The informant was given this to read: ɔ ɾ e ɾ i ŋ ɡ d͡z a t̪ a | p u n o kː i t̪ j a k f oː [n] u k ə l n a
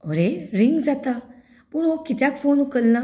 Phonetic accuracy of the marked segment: correct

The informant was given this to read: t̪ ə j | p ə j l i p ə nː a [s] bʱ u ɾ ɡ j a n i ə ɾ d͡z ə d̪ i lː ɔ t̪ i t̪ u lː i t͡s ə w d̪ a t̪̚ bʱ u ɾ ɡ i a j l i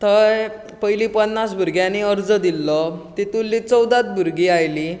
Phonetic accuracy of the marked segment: correct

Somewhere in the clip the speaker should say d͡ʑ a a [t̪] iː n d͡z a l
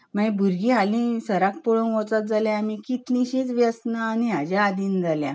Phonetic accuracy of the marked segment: incorrect: d̪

